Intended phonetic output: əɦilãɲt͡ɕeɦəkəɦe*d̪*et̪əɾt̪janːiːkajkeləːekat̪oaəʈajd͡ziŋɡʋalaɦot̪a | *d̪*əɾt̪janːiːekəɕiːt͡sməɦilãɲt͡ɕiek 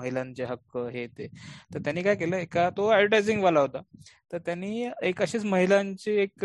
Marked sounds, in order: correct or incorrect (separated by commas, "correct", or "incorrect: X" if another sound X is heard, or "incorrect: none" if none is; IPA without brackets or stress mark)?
incorrect: t̪, incorrect: t̪